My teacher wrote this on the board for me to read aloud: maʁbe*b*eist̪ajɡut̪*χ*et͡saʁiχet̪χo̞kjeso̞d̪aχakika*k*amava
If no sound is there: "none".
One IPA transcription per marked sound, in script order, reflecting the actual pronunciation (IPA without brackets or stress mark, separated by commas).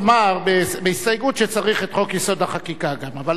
b, ʃ, ɡ